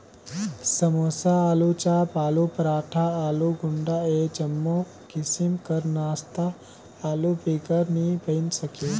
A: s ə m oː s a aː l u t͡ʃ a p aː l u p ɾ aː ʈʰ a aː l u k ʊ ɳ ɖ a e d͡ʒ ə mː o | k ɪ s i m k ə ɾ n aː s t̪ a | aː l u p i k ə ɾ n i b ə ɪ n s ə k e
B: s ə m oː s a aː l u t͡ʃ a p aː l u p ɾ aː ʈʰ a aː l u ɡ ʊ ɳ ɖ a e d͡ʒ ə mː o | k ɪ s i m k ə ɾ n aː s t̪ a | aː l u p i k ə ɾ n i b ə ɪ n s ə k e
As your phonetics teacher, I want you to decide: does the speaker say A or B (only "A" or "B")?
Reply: B